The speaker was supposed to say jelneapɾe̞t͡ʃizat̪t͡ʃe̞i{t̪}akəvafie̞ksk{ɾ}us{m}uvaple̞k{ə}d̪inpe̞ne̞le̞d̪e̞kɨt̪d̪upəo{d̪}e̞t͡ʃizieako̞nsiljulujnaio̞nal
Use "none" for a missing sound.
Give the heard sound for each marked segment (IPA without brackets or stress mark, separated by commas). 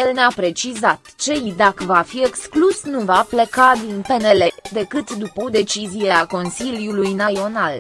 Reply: d̪, l, n, a, d̪